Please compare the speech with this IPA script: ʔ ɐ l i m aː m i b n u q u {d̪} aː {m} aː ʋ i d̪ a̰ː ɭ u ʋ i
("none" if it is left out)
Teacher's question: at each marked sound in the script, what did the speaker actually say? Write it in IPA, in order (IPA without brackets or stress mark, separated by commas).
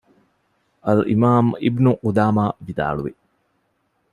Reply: d̪, m